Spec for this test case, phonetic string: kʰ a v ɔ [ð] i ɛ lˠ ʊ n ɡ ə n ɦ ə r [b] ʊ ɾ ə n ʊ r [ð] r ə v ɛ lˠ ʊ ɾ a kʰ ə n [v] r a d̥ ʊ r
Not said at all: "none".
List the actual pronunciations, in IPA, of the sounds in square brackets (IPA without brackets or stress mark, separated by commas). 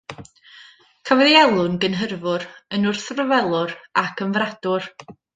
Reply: ð, v, θ, v